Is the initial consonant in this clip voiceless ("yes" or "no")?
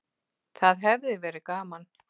yes